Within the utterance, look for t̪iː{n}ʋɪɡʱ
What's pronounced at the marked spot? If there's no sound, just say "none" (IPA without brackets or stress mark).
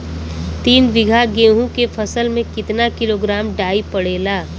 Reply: n